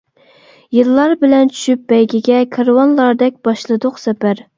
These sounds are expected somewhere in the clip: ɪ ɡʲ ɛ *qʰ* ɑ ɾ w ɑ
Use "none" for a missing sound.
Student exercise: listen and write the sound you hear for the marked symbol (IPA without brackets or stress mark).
kʰ